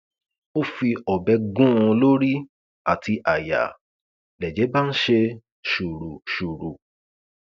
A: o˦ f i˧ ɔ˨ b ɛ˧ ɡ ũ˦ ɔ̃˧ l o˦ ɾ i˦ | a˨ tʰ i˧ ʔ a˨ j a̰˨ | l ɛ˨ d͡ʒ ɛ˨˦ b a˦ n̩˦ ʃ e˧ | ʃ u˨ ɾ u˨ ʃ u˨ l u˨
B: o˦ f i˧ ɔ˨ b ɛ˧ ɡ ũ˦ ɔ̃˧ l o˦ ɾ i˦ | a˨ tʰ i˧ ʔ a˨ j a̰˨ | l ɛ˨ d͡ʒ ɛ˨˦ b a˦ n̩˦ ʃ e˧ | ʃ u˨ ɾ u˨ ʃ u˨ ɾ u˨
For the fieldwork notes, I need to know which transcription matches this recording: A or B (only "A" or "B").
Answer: B